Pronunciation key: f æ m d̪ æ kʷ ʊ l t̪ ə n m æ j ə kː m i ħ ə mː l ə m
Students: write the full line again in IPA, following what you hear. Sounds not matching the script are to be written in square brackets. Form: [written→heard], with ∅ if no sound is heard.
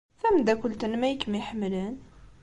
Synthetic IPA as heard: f æ m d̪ æ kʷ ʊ l t̪ ə n m æ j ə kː m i ħ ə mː l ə [m→n]